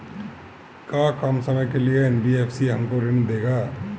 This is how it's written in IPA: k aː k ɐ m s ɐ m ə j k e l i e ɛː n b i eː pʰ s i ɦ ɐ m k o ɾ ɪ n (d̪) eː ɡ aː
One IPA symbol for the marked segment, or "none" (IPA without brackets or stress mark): d̪